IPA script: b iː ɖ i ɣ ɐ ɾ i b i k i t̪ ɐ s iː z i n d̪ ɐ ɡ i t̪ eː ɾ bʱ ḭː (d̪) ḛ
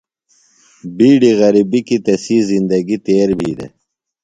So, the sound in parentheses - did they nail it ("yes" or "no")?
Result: yes